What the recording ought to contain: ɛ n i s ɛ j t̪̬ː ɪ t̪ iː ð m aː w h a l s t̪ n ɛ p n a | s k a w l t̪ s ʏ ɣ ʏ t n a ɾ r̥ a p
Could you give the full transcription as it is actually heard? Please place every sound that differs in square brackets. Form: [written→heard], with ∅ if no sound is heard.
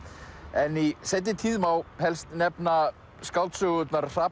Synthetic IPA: ɛ n i s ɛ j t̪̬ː ɪ [t̪→t̪ʰ] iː ð m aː w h [a→ɛ] l s t̪ n ɛ p n a | s k a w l t̪ s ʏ ɣ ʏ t n a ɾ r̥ a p